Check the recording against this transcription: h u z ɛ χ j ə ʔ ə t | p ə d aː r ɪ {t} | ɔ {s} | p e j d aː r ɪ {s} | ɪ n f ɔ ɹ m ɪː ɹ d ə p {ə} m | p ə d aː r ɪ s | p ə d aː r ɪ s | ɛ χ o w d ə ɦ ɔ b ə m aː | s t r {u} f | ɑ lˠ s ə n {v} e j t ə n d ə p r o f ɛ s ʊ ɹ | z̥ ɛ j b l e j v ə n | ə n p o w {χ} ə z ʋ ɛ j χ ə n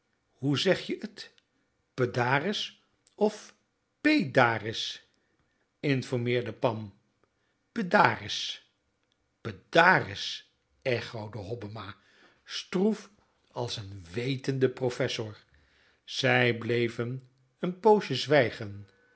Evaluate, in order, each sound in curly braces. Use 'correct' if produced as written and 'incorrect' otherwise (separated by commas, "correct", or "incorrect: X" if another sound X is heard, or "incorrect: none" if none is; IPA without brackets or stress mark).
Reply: incorrect: s, incorrect: f, correct, incorrect: ɑ, correct, incorrect: ʋ, incorrect: ʃ